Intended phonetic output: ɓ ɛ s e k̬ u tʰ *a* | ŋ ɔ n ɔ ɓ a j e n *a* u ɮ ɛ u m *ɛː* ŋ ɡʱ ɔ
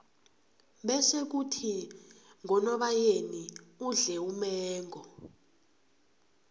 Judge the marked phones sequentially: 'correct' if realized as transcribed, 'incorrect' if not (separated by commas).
incorrect, incorrect, correct